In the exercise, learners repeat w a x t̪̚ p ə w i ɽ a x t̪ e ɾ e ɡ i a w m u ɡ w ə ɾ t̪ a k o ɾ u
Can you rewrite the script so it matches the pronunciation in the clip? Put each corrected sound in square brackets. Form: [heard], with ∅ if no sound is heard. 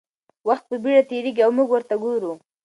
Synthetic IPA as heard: w a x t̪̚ p ə [b] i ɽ a [∅] t̪ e ɾ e ɡ i a w m u ɡ w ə ɾ t̪ a [ɡ] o ɾ u

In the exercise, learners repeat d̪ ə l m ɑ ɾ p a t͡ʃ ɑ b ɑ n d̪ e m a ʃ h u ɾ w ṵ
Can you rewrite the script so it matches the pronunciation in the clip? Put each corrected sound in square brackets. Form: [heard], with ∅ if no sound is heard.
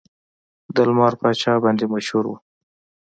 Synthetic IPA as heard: d̪ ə l m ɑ ɾ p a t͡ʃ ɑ b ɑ n d̪ e m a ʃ h u ɾ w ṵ

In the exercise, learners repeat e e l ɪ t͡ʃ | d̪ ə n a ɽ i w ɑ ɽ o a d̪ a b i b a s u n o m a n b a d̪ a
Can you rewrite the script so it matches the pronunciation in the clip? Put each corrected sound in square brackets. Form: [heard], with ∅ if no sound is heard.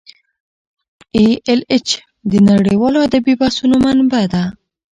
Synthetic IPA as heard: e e l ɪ t͡ʃ | d̪ ə n a ɽ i w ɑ [l] o a d̪ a b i b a s u n o m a n b a d̪ a

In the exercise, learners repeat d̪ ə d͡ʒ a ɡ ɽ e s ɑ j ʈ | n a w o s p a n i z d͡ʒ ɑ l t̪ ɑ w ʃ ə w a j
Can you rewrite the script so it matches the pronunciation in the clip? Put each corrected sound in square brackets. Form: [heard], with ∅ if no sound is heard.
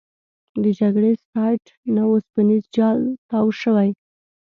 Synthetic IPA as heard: d̪ ə d͡ʒ a ɡ ɽ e s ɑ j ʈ | n a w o s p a n i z d͡ʒ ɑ l t̪ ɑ w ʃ ə w a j

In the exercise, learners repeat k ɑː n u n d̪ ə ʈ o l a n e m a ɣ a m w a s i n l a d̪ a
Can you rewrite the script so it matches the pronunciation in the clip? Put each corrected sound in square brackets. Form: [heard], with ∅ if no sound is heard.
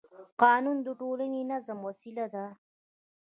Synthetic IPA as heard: [q] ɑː n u n d̪ ə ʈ o l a n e [n] a [z] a m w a s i [∅] l a d̪ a

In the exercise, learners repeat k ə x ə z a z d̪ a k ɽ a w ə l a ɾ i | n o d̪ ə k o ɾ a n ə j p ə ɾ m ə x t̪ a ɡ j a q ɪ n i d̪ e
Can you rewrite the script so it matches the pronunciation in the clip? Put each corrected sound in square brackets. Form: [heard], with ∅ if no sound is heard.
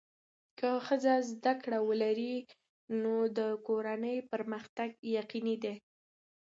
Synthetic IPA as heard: k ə x ə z a z d̪ a k ɽ a w ə l a ɾ i | n o d̪ ə k o ɾ a n ə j p ə ɾ m ə x t̪ a ɡ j a q [i] n i d̪ e

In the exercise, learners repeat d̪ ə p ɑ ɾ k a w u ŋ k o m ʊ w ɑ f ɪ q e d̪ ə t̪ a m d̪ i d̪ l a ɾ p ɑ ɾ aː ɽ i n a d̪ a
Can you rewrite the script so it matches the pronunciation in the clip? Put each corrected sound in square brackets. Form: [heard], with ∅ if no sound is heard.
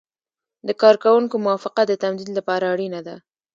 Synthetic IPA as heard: d̪ ə [k] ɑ ɾ k a w u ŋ k o m ʊ w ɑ f ɪ q [a] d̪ ə t̪ a m d̪ i d̪ l a [∅] p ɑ ɾ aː ɽ i n a d̪ a

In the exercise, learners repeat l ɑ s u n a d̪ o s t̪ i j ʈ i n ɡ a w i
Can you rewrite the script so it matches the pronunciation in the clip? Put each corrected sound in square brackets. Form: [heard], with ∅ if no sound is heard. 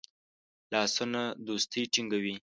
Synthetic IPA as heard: l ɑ s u n a d̪ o s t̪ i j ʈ i [ŋ] ɡ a w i

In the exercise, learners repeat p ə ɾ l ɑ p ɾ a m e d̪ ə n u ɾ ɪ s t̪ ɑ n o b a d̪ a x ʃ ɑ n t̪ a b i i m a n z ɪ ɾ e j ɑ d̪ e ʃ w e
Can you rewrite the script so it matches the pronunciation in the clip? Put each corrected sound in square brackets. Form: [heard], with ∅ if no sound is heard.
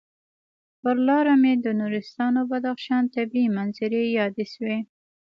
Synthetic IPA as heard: p ə ɾ l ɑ [∅] ɾ a m e d̪ ə n u ɾ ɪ s t̪ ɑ n o b a d̪ a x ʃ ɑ n t̪ a b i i m a n z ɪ ɾ e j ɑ d̪ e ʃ w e

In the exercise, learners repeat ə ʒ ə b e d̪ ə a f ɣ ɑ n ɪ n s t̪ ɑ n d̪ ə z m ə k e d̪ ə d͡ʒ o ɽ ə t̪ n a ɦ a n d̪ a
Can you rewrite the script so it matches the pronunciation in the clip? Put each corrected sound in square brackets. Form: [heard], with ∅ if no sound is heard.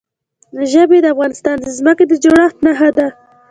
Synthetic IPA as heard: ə ʒ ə b e d̪ ə a f ɣ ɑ n ɪ [∅] s t̪ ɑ n d̪ ə z m ə k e d̪ ə d͡ʒ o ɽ [ɑ] t̪ n a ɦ a [∅] d̪ a

